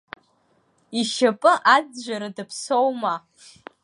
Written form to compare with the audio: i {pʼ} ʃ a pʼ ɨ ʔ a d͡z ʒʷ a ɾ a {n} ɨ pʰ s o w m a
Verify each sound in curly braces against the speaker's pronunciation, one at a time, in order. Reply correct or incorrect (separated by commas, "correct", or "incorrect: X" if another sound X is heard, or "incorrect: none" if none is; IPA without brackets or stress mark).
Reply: incorrect: none, incorrect: d